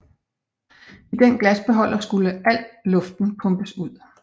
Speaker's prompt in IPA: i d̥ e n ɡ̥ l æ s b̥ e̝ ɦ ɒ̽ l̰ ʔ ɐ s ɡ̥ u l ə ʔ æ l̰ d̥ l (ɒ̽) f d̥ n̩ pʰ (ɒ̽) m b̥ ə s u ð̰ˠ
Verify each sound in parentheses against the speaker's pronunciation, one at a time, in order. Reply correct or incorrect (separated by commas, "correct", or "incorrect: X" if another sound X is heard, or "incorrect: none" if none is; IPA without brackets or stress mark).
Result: incorrect: ɔ̽, incorrect: ɔ̽